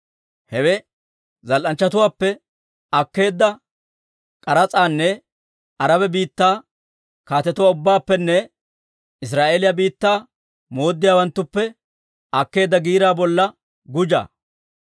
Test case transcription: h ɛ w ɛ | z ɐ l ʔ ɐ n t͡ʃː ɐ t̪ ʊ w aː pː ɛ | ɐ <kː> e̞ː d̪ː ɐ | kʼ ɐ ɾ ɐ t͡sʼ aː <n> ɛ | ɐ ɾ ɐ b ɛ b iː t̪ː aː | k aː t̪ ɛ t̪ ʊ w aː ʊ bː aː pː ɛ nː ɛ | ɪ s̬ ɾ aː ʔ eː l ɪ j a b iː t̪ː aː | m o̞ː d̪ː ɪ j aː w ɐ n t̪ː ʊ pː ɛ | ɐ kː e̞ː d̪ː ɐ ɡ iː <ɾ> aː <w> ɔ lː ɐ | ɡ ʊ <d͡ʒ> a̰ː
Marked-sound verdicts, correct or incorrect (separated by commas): correct, incorrect, correct, incorrect, correct